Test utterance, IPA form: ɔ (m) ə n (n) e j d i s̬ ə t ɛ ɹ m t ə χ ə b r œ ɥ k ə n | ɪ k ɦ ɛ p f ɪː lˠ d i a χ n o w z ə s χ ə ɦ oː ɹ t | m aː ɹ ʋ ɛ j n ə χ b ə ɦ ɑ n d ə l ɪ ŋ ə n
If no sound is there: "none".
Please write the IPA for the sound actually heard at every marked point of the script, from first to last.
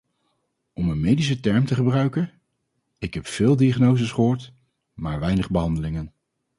m, m

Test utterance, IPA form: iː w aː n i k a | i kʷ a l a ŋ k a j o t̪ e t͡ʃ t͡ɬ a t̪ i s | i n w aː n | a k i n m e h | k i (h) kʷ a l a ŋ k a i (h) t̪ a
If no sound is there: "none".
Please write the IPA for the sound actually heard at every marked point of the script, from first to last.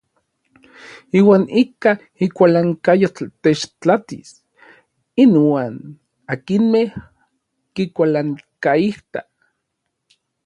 none, h

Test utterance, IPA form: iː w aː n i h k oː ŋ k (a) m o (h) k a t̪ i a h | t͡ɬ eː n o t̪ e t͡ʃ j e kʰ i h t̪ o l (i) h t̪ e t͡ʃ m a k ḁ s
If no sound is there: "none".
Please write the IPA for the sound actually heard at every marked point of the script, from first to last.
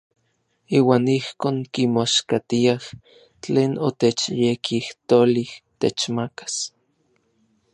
i, ʃ, i

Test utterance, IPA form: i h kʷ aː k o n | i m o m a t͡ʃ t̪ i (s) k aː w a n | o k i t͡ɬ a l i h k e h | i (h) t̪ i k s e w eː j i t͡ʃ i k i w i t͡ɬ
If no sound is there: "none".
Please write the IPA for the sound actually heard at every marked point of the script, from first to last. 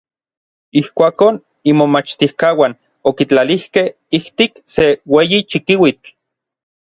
h, h

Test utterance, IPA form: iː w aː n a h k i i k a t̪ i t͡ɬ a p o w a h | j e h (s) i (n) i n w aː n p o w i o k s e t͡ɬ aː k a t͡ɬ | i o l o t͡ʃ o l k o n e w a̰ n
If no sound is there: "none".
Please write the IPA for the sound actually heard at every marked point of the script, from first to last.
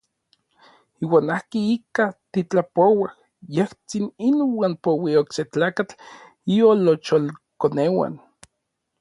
t͡s, n

